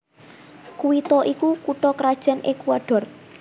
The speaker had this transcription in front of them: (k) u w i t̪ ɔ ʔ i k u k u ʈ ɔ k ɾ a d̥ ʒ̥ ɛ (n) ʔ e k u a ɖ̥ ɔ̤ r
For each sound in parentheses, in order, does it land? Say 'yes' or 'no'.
yes, yes

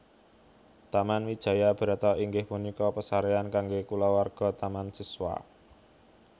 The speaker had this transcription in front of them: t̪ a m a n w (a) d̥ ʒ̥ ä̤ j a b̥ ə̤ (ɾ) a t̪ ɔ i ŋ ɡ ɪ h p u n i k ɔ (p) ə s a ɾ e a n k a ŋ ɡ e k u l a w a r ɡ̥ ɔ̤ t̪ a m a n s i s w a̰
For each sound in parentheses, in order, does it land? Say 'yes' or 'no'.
no, yes, yes

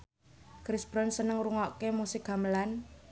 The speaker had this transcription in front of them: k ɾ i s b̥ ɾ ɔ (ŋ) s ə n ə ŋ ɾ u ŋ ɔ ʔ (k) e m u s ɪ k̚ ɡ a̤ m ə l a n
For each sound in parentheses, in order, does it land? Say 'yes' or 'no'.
no, yes

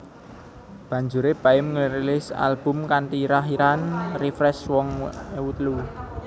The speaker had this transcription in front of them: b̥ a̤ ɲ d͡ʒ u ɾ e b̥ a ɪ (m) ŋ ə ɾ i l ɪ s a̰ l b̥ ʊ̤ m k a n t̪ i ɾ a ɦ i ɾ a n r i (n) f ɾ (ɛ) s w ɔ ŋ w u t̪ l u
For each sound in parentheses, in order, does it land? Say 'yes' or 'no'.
yes, no, yes

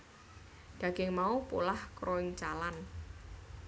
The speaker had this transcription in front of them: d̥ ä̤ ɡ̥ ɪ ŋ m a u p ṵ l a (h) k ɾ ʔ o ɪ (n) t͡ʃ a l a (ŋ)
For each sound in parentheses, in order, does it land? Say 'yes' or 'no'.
yes, no, no

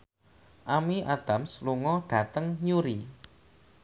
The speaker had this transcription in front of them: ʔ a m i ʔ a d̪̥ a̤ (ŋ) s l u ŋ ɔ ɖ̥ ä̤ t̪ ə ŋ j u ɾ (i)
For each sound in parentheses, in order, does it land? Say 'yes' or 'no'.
no, yes

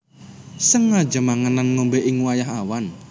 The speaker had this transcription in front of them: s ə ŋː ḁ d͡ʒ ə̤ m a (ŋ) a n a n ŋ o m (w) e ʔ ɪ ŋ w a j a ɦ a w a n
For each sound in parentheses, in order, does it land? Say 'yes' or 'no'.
yes, no

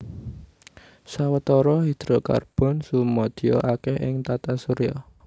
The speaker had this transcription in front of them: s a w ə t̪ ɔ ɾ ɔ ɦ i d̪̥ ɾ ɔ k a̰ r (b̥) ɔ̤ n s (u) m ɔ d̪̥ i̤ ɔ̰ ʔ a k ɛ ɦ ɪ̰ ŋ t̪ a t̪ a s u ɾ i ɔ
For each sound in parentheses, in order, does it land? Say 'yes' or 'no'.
yes, yes

